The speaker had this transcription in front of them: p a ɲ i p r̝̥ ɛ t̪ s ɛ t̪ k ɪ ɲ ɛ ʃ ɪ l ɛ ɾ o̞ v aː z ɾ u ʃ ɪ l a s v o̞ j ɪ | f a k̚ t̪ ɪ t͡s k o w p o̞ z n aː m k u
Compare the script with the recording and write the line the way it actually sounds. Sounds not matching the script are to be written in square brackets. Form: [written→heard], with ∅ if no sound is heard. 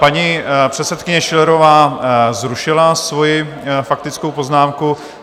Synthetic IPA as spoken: p a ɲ i p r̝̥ ɛ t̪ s ɛ t̪ k ɪ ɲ ɛ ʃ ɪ l ɛ ɾ o̞ v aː z ɾ u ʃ ɪ l a s v o̞ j ɪ | f a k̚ t̪ ɪ t͡s k o w p o̞ z n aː m k u